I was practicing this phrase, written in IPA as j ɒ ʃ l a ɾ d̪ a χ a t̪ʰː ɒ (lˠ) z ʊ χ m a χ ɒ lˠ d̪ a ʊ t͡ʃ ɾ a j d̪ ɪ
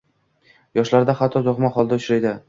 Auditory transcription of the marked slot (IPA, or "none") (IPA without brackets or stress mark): none